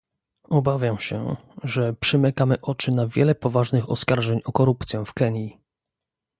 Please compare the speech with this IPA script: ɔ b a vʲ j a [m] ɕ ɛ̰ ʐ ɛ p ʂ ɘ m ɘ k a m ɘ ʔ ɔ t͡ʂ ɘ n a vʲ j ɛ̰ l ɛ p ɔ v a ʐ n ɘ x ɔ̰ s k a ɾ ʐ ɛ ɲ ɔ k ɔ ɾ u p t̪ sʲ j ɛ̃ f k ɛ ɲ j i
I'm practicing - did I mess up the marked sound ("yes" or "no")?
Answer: no